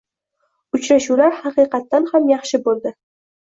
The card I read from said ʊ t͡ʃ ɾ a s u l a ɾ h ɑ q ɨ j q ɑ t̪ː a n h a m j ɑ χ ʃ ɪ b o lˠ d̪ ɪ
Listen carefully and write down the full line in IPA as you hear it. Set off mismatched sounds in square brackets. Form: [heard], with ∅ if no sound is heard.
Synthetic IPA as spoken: ʊ t͡ʃ ɾ a [ʃ] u l a ɾ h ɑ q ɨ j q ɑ t̪ː a n h a m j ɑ χ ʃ ɪ b o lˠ d̪ ɪ

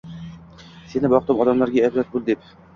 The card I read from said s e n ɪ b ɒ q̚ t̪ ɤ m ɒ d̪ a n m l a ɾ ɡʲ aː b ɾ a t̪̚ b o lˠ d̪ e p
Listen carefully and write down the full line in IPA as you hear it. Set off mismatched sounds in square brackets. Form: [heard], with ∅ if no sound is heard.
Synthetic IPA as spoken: s e n ɪ b ɒ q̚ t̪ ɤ m ɒ d̪ a [∅] m l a ɾ ɡʲ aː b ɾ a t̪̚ b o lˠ d̪ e p

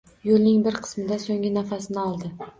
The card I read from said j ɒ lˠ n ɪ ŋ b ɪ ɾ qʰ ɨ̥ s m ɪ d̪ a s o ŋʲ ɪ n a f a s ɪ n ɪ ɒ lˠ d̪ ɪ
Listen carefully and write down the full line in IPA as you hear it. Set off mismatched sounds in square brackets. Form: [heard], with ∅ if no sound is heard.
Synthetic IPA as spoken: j [o] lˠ n ɪ ŋ b ɪ ɾ qʰ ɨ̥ s m ɪ d̪ a s o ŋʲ ɪ n a f a s ɪ n ɪ ɒ lˠ d̪ ɪ

